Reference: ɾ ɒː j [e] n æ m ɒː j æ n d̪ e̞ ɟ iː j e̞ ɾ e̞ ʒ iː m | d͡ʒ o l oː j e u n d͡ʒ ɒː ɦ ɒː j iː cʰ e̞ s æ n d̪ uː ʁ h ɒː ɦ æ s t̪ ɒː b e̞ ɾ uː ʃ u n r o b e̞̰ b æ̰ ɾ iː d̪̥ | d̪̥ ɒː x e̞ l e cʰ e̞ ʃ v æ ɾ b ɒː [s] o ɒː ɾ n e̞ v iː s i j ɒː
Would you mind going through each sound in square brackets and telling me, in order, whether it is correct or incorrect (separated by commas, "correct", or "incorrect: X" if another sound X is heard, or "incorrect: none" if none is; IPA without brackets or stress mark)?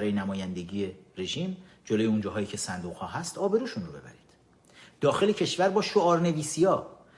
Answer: correct, incorrect: ʃ